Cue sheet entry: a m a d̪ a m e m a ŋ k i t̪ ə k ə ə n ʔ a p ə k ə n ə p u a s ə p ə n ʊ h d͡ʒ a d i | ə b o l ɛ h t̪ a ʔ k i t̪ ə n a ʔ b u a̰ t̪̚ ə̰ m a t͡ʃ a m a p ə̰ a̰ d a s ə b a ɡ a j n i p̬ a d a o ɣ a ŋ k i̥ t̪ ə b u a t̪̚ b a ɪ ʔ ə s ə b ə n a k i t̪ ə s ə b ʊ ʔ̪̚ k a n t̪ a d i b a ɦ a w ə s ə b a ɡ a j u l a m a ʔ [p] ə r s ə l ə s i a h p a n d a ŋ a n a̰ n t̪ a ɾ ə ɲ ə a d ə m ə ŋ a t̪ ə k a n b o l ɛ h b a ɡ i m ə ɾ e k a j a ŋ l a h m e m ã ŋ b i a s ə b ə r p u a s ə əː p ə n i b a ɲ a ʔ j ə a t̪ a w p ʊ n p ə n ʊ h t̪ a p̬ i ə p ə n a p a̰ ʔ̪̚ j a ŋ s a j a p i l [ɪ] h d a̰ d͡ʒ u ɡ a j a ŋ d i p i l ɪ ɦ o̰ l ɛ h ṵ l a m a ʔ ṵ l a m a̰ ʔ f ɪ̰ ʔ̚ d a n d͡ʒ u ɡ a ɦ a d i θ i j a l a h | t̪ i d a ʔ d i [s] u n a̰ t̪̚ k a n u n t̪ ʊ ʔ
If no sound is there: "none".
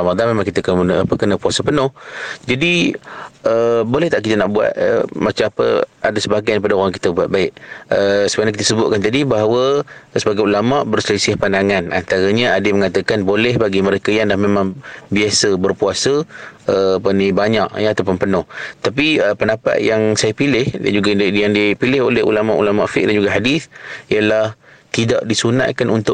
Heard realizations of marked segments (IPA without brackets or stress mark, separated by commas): b, ɪ, s